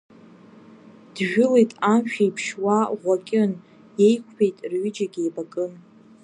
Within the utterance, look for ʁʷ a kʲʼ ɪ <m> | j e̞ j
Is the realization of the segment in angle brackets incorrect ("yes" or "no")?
yes